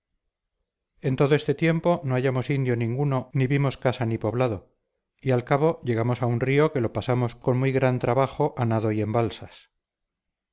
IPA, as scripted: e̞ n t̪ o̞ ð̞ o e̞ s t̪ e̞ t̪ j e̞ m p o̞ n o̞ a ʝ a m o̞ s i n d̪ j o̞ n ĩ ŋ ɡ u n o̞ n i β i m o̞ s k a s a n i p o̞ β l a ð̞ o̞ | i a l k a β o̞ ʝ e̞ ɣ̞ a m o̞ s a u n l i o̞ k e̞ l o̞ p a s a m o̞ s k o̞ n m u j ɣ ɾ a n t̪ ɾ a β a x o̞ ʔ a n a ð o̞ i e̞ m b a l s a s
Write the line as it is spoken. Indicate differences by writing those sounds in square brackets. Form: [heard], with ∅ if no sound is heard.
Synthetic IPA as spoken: e̞ n t̪ o̞ ð̞ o e̞ s t̪ e̞ t̪ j e̞ m p o̞ n o̞ a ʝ a m o̞ s i n d̪ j o̞ n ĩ ŋ ɡ u n o̞ n i β i m o̞ s k a s a n i p o̞ β l a ð̞ o̞ | i a l k a β o̞ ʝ e̞ ɣ̞ a m o̞ s a u n [r] i o̞ k e̞ l o̞ p a s a m o̞ s k o̞ n m u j ɣ ɾ a n t̪ ɾ a β a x o̞ ʔ a n a ð o̞ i e̞ m b a l s a s